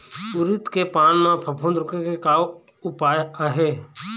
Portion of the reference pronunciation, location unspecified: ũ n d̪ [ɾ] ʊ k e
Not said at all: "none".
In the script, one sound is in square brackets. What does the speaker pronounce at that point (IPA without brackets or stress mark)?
ɾ